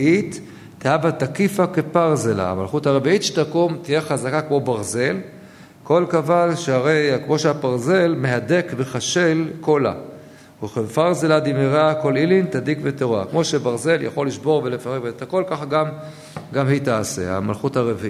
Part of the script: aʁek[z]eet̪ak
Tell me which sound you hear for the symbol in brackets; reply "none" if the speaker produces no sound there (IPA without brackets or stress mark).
v